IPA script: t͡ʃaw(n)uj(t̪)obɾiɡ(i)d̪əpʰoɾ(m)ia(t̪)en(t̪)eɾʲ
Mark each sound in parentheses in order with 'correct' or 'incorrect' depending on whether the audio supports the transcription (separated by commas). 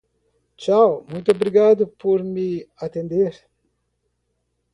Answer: incorrect, correct, incorrect, correct, correct, incorrect